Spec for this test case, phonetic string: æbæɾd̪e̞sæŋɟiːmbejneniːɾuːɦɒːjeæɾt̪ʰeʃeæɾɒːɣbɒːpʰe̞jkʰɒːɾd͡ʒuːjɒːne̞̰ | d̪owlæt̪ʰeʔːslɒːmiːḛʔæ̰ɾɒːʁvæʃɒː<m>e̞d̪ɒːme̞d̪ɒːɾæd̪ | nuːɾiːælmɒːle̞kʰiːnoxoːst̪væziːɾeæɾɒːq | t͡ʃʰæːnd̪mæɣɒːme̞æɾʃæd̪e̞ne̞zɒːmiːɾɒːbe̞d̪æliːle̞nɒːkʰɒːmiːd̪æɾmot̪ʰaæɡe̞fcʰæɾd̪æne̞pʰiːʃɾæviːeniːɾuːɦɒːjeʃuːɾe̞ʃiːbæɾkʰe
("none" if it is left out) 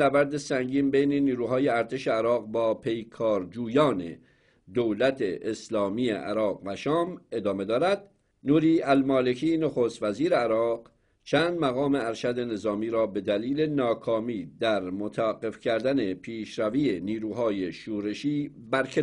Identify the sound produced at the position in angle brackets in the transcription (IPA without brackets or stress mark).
m